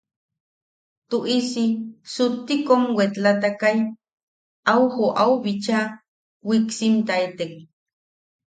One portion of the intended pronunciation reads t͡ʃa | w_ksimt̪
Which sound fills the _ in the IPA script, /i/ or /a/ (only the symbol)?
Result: i